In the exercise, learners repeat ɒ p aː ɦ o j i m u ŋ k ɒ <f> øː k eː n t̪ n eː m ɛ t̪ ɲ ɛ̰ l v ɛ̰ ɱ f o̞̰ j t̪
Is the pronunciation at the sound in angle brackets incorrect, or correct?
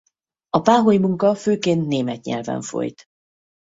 correct